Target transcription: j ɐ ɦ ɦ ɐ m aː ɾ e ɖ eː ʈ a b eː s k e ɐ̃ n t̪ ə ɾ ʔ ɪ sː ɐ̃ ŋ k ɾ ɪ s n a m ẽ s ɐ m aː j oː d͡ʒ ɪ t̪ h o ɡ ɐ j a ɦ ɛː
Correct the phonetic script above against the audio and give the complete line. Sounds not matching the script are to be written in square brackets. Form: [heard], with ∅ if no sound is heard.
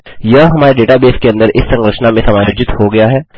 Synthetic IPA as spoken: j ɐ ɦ ɦ ɐ m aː ɾ e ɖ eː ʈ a b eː s k e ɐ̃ n [d̪] ə ɾ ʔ ɪ sː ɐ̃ ŋ [ɡ] ɾ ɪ [ʃ] n a m ẽ s ɐ m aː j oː d͡ʒ ɪ t̪ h o ɡ ɐ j a ɦ ɛː

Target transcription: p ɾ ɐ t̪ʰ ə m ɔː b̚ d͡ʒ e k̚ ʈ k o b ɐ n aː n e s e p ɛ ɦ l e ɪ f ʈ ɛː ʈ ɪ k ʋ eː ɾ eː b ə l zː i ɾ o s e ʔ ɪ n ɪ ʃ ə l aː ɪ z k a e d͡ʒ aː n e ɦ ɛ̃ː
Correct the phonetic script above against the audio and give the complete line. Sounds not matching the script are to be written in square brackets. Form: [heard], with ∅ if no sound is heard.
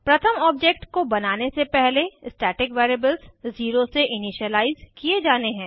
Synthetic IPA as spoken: p ɾ ɐ t̪ʰ ə m ɔː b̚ d͡ʒ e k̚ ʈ k o b ɐ n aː n e s e p ɛ ɦ l e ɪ [s] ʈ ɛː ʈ ɪ k ʋ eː ɾ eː b ə l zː [iː] ɾ o s e ʔ ɪ n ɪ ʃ ə l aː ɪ z k [i] e d͡ʒ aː n e ɦ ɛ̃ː

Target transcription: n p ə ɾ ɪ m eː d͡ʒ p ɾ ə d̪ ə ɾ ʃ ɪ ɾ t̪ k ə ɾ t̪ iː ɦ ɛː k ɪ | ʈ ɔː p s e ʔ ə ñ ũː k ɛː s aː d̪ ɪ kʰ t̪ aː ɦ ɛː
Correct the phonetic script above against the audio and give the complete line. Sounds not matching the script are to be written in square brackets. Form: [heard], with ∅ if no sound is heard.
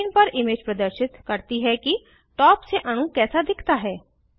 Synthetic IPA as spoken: n p ə ɾ ɪ m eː d͡ʒ p ɾ ə d̪ ə ɾ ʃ ɪ [∅] t̪ k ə ɾ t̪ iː ɦ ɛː k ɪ | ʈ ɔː p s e ʔ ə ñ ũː k ɛː s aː d̪ ɪ kʰ t̪ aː ɦ ɛː

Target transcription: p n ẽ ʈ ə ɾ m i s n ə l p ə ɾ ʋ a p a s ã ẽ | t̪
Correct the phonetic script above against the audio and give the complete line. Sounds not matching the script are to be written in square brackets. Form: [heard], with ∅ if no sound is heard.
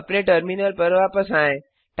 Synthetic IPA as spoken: p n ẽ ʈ ə ɾ m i [∅] n ə l p ə ɾ ʋ a p [ə] s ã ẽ | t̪

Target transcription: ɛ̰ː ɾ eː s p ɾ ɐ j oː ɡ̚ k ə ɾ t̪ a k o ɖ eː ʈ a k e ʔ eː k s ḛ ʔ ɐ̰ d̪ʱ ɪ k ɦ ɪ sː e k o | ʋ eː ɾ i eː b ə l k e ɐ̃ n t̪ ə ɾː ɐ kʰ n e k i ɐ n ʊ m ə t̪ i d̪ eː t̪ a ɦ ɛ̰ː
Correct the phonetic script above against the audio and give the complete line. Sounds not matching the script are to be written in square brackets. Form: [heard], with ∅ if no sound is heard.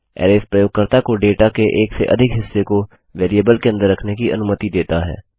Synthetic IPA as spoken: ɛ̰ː ɾ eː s p ɾ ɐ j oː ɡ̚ k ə ɾ t̪ a k o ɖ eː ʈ a k e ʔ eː k s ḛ ʔ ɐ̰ d̪ʱ ɪ k ɦ ɪ sː e k o | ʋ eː ɾ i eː b ə l k e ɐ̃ n [d̪] ə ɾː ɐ kʰ n e k i ɐ n ʊ m ə t̪ i d̪ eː t̪ a ɦ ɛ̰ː

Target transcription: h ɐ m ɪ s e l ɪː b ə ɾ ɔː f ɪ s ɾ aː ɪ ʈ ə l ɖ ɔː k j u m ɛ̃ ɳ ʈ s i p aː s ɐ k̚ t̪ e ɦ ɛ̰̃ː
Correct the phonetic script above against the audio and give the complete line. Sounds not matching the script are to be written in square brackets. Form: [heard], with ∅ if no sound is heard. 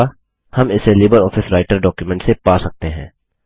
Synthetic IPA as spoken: h ɐ m ɪ s e l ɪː b ə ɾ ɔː f ɪ s ɾ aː ɪ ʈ ə [ɾ] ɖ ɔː k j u m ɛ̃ ɳ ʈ s [e] p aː s ɐ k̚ t̪ e ɦ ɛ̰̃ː

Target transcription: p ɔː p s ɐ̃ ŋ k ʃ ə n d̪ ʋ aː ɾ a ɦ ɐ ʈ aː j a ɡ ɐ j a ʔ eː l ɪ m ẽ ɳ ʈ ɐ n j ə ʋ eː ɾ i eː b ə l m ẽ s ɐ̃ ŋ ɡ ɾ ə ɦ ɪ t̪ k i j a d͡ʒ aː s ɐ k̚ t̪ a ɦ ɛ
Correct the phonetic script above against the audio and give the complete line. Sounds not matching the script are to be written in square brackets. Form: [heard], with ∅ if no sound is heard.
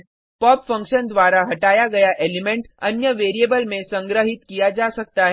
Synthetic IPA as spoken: p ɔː p [f] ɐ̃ ŋ k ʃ ə n d̪ ʋ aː ɾ a ɦ ɐ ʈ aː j a ɡ ɐ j a ʔ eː l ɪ m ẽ ɳ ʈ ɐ n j ə ʋ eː ɾ i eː b ə l m ẽ s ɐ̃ ŋ ɡ ɾ ə ɦ ɪ t̪ k i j a d͡ʒ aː s ɐ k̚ t̪ a ɦ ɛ

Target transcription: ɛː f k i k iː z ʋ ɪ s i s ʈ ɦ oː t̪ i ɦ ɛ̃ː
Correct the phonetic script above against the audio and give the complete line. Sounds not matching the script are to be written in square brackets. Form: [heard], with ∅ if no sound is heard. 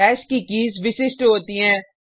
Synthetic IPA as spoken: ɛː [ʃ] k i k iː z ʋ ɪ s [ɪ] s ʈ ɦ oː t̪ i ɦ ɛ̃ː

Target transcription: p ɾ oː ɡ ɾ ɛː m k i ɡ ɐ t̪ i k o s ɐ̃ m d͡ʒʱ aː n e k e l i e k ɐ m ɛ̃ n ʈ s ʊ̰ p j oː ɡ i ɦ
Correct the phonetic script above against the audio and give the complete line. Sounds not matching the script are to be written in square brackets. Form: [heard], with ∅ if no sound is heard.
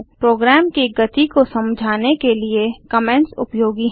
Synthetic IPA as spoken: p ɾ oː ɡ ɾ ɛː m k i ɡ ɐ t̪ i k o s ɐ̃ m d͡ʒʱ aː n e k e l i e k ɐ m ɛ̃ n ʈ s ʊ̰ p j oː ɡ i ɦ

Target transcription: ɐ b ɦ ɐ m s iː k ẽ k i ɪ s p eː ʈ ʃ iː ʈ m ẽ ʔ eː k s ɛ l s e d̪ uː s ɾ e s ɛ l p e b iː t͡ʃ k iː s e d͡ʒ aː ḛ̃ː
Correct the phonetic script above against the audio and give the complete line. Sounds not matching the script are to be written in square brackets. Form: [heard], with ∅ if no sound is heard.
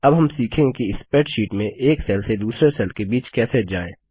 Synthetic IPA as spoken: ɐ b ɦ ɐ m s iː [kʰ] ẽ k i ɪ s p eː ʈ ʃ iː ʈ m ẽ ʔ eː k s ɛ l s e d̪ uː s ɾ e s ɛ l [k] e b iː t͡ʃ k [ɛː] s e d͡ʒ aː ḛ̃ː

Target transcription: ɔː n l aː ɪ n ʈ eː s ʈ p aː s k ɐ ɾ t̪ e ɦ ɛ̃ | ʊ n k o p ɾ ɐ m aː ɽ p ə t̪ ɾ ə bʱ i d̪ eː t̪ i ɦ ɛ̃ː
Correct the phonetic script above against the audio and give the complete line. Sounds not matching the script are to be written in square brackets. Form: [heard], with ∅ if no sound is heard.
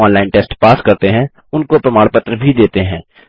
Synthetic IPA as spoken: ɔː n l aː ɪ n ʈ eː s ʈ p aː s k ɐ ɾ t̪ e ɦ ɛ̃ | ʊ n k o p ɾ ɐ m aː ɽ p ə t̪ ɾ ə bʱ i d̪ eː t̪ [e] ɦ ɛ̃ː

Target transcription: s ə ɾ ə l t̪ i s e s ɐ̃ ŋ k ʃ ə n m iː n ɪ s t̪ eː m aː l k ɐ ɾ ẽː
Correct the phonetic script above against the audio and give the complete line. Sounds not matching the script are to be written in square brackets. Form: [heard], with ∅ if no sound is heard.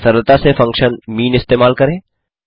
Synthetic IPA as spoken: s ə ɾ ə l t̪ [a] s e [f] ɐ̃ ŋ k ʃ ə n m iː n ɪ s t̪ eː m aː l k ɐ ɾ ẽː

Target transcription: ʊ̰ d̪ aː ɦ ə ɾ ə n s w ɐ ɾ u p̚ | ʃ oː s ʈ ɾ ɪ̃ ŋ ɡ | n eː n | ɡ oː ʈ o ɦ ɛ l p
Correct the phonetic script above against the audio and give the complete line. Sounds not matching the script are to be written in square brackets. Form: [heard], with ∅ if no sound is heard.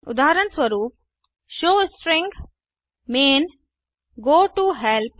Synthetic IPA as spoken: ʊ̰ d̪ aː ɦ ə ɾ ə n s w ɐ ɾ [uː] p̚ | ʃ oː s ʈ ɾ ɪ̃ ŋ ɡ | [m] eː n | ɡ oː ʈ [u] ɦ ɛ l p

